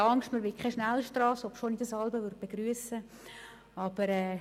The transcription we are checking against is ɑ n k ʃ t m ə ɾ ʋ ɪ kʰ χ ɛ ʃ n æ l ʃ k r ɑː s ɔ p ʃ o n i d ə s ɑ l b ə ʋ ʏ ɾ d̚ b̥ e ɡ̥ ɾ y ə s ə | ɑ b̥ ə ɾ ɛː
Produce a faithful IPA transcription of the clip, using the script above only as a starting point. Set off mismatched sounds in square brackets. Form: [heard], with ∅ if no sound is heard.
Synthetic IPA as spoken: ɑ [ŋ] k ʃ t m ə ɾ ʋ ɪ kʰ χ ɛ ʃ n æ l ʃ [t] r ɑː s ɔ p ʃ o n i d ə s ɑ l b ə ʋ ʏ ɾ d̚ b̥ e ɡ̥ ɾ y ə s ə | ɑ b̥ ə ɾ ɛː